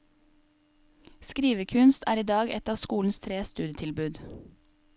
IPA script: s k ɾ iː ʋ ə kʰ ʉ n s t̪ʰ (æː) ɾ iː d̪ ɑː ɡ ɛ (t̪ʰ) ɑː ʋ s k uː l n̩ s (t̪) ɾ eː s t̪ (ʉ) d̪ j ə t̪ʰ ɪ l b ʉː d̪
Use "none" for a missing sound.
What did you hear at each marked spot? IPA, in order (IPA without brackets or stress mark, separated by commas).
æː, t̪, t̪ʰ, ʉː